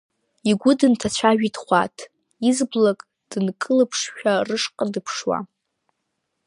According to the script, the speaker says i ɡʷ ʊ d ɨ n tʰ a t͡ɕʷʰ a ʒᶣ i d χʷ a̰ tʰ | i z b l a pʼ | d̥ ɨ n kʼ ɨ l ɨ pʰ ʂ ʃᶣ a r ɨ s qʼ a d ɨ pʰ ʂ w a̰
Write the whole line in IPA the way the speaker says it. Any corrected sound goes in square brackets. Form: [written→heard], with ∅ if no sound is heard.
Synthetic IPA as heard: i ɡʷ ʊ d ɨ n tʰ a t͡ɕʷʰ a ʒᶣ i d χʷ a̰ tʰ | i z b l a [pʼ→kʼ] | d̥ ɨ n kʼ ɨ l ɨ pʰ ʂ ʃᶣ a r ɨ [s→ʂ] qʼ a d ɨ pʰ ʂ w a̰